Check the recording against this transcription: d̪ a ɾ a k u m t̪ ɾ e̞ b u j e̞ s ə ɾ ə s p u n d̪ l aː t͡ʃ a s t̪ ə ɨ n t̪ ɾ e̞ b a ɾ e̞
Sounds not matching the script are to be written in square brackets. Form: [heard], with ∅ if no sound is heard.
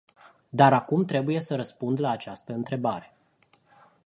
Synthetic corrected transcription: d̪ a ɾ a k u m t̪ ɾ e̞ b u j e̞ s ə ɾ ə s p u n d̪ l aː t͡ʃ a s t̪ ə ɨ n t̪ ɾ e̞ b a ɾ e̞